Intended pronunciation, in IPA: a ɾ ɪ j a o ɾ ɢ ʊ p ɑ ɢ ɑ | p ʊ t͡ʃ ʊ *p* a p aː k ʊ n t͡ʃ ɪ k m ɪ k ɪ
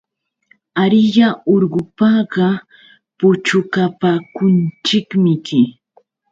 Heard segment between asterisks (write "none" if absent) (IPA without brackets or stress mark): k